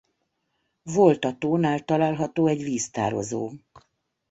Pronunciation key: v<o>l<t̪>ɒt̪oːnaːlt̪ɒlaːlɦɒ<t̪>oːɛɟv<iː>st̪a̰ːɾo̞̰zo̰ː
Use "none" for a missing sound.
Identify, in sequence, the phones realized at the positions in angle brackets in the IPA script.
o, t̪, t̪, iː

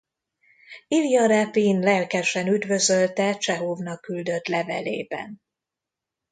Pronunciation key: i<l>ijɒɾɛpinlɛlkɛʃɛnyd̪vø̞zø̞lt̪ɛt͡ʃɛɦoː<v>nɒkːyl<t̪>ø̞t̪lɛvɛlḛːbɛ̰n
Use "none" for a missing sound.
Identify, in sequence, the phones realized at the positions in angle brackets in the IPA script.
l, v, d̪

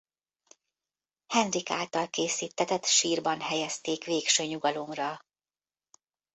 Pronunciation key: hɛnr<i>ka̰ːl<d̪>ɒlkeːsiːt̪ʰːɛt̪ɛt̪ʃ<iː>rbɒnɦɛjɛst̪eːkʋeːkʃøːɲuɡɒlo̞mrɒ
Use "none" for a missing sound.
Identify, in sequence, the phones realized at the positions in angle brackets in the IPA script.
i, t̪, iː

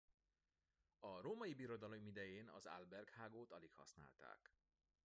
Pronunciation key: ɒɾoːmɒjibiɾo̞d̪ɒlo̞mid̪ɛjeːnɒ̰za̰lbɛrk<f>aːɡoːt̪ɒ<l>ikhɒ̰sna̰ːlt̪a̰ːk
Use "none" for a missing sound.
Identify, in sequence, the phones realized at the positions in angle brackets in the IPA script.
h, l

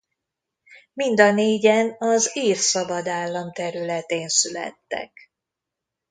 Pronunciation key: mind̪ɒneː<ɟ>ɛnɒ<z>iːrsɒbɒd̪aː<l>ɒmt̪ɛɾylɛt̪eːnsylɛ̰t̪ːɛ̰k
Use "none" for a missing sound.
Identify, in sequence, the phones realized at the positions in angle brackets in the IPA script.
ɟ, z, lː

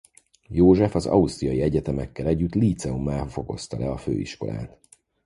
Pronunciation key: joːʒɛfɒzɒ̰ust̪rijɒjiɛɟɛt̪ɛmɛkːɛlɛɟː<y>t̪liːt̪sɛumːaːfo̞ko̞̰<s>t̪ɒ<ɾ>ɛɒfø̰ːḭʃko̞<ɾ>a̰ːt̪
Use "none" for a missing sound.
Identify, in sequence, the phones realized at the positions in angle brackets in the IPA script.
y, s, l, l

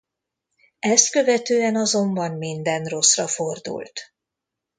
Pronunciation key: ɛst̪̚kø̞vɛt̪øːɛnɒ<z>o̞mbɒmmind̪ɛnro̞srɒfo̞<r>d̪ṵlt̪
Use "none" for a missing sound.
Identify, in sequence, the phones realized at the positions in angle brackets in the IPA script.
z, r

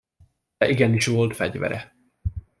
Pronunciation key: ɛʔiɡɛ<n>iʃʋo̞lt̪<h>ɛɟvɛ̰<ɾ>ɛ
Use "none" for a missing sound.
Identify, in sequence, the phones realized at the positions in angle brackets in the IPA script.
n, f, ɾ

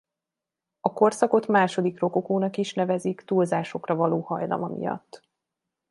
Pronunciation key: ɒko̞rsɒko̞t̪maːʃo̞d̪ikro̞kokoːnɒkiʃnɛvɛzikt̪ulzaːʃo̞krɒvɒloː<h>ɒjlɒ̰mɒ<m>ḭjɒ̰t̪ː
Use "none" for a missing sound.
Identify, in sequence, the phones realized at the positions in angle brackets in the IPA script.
h, m

